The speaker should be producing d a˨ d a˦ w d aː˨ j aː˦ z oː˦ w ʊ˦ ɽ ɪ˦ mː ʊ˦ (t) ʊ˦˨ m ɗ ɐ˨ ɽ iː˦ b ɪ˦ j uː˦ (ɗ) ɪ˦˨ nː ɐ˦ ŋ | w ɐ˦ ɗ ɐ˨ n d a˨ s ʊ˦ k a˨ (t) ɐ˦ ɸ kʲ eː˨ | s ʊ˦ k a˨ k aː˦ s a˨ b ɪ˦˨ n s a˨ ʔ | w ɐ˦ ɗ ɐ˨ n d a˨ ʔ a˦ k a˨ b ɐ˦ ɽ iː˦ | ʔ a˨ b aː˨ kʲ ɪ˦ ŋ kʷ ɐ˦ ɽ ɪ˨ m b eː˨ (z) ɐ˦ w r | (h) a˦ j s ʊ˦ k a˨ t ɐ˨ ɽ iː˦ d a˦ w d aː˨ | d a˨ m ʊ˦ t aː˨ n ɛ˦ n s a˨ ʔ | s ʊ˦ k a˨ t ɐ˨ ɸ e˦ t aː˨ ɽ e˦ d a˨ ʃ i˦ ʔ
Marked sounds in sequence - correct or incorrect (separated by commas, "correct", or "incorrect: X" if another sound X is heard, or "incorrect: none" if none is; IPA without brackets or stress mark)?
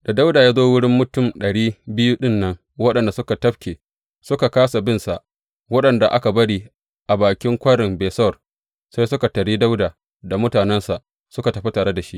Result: correct, correct, correct, incorrect: s, incorrect: s